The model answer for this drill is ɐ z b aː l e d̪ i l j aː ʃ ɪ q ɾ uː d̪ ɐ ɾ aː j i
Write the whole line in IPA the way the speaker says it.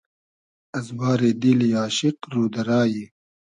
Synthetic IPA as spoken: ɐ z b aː ɾ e d̪ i l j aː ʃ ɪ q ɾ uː d̪ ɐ ɾ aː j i

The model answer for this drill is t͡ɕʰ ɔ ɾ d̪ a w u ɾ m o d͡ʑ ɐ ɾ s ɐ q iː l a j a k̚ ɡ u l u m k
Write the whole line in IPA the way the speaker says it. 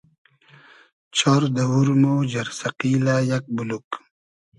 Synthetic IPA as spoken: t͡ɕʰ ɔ ɾ d̪ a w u ɾ m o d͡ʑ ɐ ɾ s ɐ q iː l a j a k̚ b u l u k

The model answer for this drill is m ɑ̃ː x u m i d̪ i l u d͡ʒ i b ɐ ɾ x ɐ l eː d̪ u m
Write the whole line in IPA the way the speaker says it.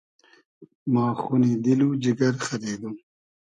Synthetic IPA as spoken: m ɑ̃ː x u n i d̪ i l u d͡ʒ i ɡ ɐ ɾ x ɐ ɾ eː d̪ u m

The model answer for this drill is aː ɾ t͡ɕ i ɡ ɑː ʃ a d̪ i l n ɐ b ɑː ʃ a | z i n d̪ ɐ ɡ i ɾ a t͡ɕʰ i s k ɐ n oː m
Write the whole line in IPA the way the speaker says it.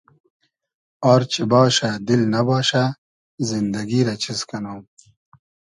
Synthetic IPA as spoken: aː ɾ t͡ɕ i b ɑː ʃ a d̪ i l n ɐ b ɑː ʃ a | z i n d̪ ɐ ɡ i ɾ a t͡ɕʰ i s k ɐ n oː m

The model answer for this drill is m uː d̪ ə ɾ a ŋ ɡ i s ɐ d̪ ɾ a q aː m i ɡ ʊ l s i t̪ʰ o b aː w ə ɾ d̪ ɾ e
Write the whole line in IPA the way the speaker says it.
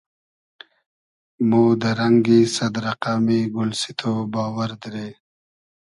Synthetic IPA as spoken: m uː d̪ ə ɾ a ŋ ɡ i s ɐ d̪ ɾ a q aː m i ɡ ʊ l s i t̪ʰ o b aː w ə ɾ d̪ ɾ e

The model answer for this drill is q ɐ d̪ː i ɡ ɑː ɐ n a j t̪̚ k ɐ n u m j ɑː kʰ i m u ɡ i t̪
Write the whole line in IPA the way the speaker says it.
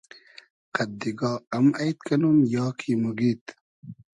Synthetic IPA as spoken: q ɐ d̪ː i ɡ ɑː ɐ m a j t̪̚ k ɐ n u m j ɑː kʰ i m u ɡ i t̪

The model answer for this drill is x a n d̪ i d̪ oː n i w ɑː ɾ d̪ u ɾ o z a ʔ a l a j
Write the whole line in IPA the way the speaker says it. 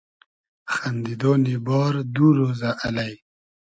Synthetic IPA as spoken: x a n d̪ i d̪ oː n i b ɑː ɾ d̪ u ɾ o z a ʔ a l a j

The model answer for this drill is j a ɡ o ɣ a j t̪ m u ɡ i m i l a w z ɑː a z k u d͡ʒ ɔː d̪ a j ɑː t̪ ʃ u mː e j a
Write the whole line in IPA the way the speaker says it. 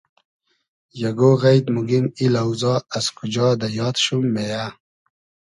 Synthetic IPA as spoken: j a ɡ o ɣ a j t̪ m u ɡ i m i l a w z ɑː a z k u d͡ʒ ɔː d̪ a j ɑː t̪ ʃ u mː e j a

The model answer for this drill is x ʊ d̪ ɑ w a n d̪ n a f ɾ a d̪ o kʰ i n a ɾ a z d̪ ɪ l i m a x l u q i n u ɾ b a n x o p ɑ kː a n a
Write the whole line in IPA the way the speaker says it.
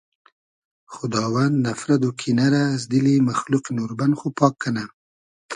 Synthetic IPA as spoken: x ʊ d̪ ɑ w a n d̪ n a f ɾ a d̪ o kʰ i n a ɾ a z d̪ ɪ l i m a x l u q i n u ɾ b a n x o p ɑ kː a n a

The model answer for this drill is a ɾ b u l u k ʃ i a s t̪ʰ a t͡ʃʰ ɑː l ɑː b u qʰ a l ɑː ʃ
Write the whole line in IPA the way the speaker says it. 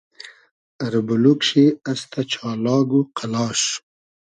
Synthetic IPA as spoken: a ɾ b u l u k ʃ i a s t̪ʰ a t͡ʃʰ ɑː l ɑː ɡ u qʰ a l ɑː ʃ

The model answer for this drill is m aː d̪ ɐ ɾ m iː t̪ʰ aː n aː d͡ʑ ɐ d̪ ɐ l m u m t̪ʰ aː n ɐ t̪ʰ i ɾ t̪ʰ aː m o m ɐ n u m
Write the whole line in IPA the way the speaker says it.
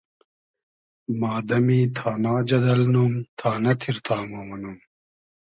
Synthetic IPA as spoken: m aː d̪ ɐ m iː t̪ʰ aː n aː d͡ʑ ɐ d̪ ɐ l n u m t̪ʰ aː n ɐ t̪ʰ i ɾ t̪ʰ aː m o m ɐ n u m

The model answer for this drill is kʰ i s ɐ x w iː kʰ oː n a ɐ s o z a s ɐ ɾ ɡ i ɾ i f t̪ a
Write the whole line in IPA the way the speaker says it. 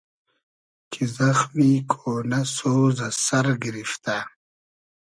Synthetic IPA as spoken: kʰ i z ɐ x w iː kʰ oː n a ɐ s o z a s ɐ ɾ ɡ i ɾ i f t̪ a

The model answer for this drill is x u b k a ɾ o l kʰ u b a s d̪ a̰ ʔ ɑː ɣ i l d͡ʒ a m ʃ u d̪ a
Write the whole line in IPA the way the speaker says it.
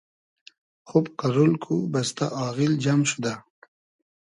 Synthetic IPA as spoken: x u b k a ɾ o l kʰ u b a s t̪ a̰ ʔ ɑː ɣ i l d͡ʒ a m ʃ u d̪ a

